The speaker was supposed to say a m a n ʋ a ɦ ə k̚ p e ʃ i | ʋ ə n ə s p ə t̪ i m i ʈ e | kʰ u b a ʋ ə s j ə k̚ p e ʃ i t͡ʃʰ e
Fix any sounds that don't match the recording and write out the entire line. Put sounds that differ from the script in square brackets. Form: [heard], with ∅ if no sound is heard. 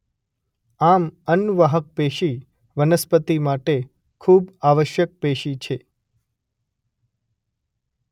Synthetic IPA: a m [ə] n ʋ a ɦ ə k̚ p e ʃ i | ʋ ə n ə s p ə t̪ i m [a] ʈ e | kʰ u b a ʋ ə [ʃ] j ə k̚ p e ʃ i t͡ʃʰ e